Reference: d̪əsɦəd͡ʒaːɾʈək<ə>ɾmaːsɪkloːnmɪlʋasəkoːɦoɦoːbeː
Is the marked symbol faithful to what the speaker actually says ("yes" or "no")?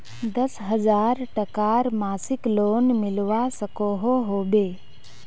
no